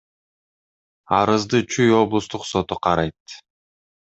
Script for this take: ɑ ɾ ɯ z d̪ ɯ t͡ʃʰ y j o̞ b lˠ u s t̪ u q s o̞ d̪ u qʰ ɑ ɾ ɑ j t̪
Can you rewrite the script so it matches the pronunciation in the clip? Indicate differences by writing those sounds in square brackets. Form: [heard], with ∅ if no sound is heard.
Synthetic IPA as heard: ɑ ɾ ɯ z d̪ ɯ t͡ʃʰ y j o̞ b lˠ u s t̪ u q s o̞ [t̪] u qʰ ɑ ɾ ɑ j t̪